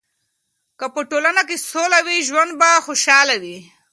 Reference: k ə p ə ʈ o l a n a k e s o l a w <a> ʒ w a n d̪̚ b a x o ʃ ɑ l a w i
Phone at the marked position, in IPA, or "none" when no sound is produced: i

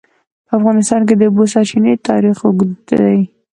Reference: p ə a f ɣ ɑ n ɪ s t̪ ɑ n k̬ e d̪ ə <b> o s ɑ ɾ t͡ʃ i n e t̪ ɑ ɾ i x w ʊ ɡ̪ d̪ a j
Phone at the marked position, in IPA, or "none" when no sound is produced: b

